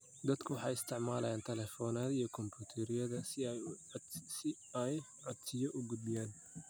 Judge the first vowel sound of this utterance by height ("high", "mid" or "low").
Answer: low